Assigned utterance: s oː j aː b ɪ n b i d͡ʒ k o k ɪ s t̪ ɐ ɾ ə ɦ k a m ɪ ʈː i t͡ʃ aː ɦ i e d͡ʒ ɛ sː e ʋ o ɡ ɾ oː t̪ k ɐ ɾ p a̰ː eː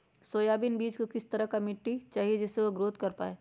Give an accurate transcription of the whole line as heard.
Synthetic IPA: s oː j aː b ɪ n b iː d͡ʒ k o k ɪ s t̪ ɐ ɾ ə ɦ k a m ɪ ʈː i t͡ʃ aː ɦ i e d͡ʒ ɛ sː e ʋ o ɡ ɾ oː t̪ k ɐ ɾ p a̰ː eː